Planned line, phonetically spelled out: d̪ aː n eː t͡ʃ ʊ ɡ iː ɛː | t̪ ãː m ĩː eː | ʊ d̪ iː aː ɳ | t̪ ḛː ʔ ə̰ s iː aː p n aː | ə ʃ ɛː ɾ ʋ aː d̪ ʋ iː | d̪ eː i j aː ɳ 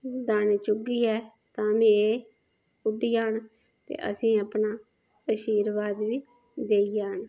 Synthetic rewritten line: d̪ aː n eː t͡ʃ ʊ ɡ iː ɛː | t̪ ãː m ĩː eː | ʊ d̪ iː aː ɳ | t̪ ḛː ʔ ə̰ s ĩː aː p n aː | ə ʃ iː ɾ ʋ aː d̪ ʋ iː | d̪ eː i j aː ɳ